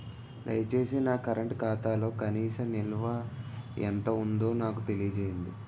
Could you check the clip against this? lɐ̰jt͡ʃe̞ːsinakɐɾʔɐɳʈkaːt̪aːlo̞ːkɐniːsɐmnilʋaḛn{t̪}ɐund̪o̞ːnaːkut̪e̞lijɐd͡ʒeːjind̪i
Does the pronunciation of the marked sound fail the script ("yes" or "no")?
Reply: no